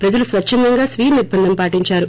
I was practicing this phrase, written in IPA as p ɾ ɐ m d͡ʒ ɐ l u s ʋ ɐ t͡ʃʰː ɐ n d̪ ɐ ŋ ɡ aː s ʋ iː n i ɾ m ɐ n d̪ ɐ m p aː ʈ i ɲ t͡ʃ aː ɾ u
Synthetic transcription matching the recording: p ɾ ɐ d͡ʒ ɐ l u s ʋ ɐ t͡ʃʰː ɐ n d̪ ɐ ŋ ɡ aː s ʋ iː n i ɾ b ɐ n d̪ ɐ m p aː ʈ i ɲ t͡ʃ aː ɾ u